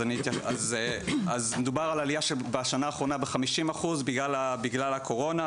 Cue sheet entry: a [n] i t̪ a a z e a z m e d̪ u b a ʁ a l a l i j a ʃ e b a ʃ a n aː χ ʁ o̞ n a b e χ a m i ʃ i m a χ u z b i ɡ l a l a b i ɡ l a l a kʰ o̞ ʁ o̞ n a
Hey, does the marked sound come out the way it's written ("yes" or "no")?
yes